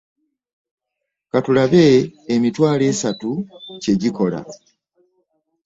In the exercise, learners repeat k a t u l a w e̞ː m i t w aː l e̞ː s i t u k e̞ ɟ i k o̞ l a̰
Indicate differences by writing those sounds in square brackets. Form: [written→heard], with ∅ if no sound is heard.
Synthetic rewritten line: k a t u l a [w→β] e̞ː m i t w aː l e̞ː s [i→a] t u [k→c] e̞ ɟ i k o̞ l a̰